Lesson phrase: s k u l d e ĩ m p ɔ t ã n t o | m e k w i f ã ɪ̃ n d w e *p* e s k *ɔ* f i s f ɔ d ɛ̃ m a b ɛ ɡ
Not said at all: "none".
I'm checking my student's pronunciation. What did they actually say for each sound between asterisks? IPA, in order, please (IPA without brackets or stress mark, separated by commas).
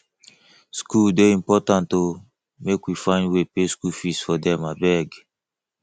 p, u